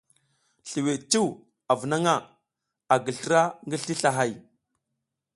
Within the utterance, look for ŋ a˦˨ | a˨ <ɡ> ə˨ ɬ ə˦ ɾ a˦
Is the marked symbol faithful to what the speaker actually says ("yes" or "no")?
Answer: yes